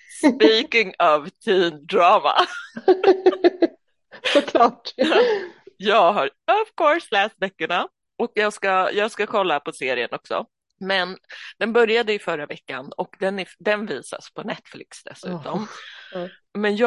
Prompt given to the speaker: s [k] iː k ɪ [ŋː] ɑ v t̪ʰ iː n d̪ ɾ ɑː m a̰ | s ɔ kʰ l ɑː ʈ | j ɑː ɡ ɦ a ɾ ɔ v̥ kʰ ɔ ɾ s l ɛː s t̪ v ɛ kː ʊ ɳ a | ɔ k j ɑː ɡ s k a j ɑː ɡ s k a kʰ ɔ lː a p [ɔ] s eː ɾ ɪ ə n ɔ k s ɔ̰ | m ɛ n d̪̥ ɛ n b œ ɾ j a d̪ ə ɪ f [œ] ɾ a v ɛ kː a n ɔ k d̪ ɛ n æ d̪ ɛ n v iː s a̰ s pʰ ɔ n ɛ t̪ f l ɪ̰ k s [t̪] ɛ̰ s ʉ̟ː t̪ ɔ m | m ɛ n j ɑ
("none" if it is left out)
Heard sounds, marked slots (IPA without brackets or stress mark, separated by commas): p, ŋ, ɔ, œ, d̪